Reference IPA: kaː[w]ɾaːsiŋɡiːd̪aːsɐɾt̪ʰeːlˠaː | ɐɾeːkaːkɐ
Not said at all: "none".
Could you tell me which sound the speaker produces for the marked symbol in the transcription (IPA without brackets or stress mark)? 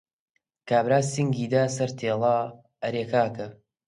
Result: b